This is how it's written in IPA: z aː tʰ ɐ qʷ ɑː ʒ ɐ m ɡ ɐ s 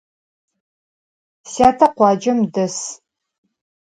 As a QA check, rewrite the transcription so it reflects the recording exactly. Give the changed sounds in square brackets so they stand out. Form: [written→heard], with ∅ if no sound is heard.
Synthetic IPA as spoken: [z→s] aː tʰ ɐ qʷ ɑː [ʒ→d͡ʒ] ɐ m [ɡ→d] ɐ s